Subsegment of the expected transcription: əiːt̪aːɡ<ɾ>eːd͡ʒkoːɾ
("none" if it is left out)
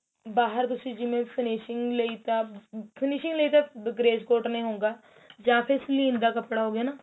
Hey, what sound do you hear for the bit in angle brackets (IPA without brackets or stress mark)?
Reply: ɾ